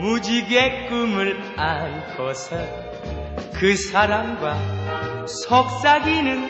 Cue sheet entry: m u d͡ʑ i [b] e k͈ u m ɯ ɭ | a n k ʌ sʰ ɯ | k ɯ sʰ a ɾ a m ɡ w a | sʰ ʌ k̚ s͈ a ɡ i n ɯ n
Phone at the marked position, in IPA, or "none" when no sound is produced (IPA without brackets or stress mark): ɡ